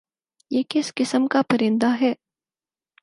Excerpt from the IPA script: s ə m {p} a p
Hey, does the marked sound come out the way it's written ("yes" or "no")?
no